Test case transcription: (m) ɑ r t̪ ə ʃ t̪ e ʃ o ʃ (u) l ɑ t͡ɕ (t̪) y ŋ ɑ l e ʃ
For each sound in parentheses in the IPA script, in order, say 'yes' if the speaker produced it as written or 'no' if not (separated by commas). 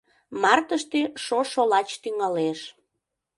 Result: yes, no, yes